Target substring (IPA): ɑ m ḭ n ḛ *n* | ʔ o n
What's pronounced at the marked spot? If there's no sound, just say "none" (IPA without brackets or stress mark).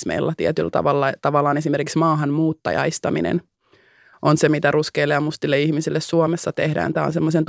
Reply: n